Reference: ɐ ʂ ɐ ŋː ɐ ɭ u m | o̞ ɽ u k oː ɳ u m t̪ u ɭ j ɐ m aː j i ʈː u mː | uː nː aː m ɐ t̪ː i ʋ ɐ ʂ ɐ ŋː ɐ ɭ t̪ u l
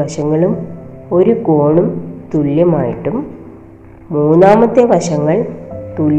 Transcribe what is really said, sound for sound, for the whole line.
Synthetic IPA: ɐ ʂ ɐ ŋː ɐ ɭ u m | o̞ ɾ u k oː ɳ u m t̪ u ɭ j ɐ m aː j i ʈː u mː | uː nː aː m ɐ t̪ː e ʋ ɐ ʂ ɐ ŋː ɐ ɭ t̪ u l